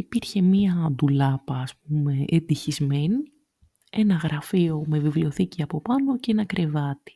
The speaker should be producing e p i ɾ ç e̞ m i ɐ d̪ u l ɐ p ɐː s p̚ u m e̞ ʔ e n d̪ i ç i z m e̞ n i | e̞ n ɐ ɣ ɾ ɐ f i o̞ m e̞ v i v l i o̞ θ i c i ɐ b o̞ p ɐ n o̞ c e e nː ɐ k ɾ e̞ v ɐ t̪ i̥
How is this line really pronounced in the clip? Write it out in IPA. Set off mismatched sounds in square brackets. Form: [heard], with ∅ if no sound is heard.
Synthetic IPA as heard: [i] p i ɾ ç e̞ m i ɐ d̪ u l ɐ p ɐː s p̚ u m e̞ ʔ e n d̪ i ç i z m e̞ n i | e̞ n ɐ ɣ ɾ ɐ f i o̞ m e̞ v i v l i o̞ θ i c i ɐ [p] o̞ p ɐ n o̞ c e e [n] ɐ k ɾ e̞ v ɐ t̪ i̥